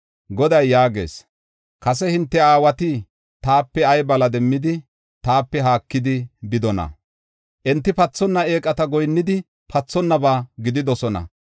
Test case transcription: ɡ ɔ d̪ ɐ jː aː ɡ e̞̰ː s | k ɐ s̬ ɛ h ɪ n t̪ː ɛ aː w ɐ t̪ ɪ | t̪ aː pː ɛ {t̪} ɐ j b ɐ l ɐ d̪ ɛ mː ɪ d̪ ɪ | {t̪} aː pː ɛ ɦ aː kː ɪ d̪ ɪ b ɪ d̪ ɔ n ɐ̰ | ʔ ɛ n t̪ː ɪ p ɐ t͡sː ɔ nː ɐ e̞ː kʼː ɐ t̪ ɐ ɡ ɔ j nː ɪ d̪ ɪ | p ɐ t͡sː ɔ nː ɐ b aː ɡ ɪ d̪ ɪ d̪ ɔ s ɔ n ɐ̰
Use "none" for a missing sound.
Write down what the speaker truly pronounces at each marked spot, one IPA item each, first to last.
none, t̪

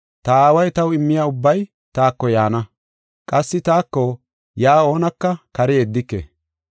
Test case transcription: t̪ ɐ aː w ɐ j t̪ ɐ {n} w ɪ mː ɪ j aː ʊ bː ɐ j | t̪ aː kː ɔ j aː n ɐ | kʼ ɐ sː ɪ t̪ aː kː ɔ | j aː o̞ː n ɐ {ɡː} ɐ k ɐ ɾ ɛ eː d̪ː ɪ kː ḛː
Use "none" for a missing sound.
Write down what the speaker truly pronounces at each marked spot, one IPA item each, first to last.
none, kː

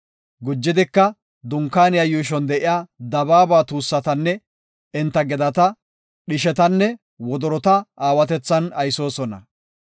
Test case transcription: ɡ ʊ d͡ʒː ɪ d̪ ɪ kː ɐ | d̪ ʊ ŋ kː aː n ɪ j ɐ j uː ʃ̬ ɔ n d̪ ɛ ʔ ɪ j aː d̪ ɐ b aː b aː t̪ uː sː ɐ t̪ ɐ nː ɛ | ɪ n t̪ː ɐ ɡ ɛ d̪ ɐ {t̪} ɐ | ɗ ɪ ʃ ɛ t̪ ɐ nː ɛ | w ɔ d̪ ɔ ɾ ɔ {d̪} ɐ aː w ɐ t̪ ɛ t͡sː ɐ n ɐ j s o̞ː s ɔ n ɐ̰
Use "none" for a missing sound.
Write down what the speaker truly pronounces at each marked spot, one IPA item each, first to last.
t̪, t̪

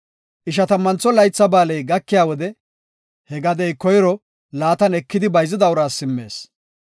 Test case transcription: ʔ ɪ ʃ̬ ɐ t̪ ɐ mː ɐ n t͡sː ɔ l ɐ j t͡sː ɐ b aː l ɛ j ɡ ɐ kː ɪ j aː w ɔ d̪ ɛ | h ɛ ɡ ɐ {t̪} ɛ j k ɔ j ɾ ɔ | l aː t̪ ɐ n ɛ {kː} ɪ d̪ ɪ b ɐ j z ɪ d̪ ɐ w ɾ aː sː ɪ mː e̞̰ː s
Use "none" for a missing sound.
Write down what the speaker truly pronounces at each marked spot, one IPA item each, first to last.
d̪, kː

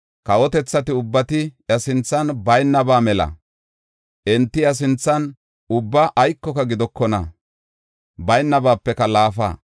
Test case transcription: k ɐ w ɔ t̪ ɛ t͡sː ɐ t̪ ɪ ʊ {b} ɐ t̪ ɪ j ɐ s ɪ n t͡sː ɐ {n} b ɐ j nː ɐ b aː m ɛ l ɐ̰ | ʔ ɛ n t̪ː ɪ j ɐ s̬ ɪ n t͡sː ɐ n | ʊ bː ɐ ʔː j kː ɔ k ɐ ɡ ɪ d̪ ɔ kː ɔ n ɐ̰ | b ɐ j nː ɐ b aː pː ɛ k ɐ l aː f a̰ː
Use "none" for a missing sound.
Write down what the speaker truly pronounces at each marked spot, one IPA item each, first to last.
bː, n

